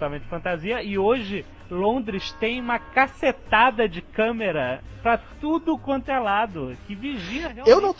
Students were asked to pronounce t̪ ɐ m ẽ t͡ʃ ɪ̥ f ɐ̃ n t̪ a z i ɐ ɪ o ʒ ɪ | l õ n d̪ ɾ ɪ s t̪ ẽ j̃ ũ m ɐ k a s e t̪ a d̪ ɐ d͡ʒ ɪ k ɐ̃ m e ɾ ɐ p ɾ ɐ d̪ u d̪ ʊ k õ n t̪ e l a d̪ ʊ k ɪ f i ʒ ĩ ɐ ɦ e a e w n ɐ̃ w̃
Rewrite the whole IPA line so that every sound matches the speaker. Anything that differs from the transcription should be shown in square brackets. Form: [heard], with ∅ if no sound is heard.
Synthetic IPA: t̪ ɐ m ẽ t͡ʃ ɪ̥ f ɐ̃ n t̪ a z i ɐ ɪ o ʒ ɪ | l õ n d̪ ɾ ɪ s t̪ ẽ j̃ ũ m ɐ k a s e t̪ a d̪ ɐ d͡ʒ ɪ k ɐ̃ m e ɾ ɐ p ɾ ɐ [t̪] u d̪ ʊ k õ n t̪ e l a d̪ ʊ k ɪ [v] i ʒ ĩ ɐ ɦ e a e w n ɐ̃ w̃